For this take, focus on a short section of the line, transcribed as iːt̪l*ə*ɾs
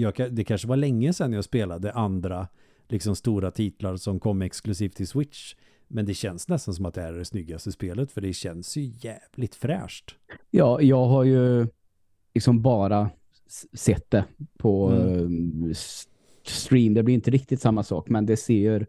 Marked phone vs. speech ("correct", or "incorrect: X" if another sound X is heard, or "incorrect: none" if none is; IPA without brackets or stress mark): incorrect: a